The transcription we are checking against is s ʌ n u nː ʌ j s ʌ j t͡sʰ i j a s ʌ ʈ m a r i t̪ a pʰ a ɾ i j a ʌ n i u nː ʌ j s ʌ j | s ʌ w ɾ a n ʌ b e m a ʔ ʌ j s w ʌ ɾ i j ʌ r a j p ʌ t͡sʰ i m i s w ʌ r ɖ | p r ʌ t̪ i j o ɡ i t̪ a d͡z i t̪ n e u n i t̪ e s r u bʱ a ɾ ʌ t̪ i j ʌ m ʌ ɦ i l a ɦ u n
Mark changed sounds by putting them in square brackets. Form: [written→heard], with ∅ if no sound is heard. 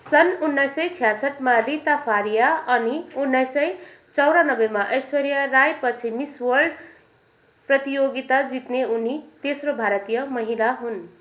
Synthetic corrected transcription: s ʌ n u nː ʌ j s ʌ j t͡sʰ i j a s ʌ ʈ m a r i t̪ a pʰ a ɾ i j a ʌ n i u nː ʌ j s ʌ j | [s→t͡s] ʌ w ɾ a n ʌ b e m a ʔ ʌ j s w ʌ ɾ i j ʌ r a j p ʌ t͡sʰ i m i s w ʌ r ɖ | p r ʌ t̪ i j o ɡ i t̪ a d͡z i t̪ n e u n i t̪ e s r [u→o] bʱ a ɾ ʌ t̪ i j ʌ m ʌ ɦ i l a ɦ u n